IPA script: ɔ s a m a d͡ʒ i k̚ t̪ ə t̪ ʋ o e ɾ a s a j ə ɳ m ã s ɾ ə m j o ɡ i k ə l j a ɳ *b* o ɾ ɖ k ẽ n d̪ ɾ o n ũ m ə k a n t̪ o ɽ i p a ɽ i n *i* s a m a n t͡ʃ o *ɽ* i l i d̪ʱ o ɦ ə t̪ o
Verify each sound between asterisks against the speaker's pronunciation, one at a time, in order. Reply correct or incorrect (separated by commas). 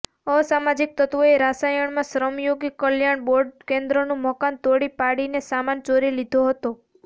correct, incorrect, incorrect